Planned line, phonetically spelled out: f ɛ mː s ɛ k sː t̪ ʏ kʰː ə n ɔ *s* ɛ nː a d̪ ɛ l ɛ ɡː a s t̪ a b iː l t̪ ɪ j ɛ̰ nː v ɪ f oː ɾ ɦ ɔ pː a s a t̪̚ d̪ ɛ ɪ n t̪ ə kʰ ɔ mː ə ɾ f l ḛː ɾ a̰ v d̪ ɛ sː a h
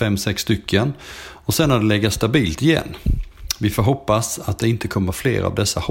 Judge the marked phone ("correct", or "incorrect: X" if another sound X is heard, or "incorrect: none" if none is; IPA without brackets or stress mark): correct